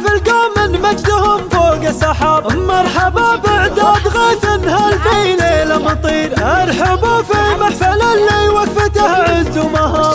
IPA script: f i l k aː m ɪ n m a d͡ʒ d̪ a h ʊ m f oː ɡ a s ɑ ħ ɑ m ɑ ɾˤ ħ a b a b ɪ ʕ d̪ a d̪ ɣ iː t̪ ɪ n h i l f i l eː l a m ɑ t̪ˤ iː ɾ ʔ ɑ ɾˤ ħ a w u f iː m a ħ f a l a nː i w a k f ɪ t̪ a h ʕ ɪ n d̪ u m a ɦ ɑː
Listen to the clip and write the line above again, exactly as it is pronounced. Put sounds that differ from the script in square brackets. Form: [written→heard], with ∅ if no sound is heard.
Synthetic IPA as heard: f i l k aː m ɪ n m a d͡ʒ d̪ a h ʊ m f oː ɡ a s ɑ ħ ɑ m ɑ ɾˤ ħ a b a b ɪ ʕ d̪ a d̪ ɣ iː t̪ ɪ n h [i→a] l f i l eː l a m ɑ t̪ˤ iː ɾ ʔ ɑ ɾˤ ħ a [w→b] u f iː m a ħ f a l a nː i w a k f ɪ t̪ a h ʕ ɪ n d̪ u m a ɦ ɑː